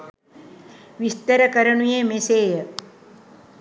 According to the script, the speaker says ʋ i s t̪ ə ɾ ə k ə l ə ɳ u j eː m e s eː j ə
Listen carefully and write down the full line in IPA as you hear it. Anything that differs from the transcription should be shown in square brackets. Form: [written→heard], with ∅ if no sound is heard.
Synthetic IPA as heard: ʋ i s t̪ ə ɾ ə k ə [l→ɾ] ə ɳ u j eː m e s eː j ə